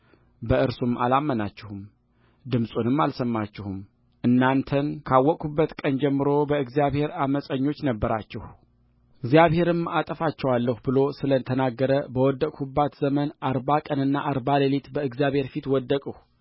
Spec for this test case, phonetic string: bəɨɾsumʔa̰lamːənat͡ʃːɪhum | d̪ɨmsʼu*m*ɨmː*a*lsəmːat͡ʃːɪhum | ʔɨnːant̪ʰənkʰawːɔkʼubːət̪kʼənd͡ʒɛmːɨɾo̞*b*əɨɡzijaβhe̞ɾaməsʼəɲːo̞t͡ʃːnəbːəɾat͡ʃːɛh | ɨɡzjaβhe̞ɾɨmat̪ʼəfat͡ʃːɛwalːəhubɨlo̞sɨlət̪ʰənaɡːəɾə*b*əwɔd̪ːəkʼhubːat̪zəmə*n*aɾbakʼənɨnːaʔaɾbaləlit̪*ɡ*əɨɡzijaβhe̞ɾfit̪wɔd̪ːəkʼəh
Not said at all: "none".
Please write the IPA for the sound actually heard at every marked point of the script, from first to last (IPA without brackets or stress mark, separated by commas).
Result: n, a, b, b, n, b